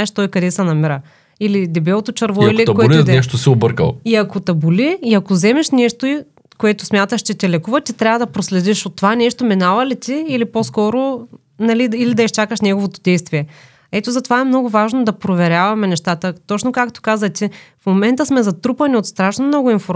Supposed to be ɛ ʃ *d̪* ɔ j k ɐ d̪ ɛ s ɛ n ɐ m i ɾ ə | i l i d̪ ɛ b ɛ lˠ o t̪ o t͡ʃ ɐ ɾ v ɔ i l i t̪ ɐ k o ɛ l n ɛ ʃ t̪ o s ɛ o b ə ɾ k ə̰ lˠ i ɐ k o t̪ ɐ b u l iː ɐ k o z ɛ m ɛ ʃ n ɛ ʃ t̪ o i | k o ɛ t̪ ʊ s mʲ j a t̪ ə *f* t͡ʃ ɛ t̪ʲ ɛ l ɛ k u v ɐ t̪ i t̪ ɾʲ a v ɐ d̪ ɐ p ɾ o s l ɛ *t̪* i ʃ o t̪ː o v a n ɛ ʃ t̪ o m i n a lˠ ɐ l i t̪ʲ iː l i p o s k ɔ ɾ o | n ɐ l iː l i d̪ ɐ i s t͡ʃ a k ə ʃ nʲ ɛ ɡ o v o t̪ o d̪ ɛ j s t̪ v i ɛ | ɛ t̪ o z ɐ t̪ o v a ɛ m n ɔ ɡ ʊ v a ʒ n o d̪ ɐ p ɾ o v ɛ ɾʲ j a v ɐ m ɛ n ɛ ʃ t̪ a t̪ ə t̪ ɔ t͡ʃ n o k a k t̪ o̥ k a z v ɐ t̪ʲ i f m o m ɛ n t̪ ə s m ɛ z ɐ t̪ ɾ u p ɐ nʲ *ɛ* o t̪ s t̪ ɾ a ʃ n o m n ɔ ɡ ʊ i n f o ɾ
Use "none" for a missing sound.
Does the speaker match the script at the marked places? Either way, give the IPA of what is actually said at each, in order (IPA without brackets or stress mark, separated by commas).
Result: t̪, ʃ, d̪, i